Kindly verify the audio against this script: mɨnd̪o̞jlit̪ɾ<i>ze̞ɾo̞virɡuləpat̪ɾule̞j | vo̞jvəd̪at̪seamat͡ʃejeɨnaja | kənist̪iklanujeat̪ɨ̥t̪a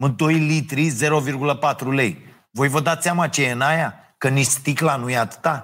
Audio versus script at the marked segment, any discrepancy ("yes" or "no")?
no